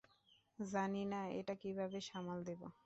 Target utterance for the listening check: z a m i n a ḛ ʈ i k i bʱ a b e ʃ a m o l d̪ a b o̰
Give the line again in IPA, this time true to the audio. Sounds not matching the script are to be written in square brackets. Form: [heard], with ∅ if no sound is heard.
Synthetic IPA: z a [n] i n a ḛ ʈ [a] k i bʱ a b e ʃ a m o l d̪ [e] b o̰